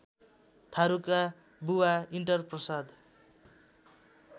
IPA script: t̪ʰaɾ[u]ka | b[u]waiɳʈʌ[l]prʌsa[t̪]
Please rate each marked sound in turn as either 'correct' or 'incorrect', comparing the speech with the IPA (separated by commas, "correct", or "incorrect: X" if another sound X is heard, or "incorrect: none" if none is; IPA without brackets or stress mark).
correct, correct, incorrect: r, incorrect: d̪